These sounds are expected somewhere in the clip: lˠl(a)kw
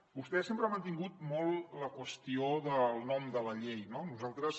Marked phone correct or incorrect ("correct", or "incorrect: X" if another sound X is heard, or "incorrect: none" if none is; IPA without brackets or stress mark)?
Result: incorrect: ə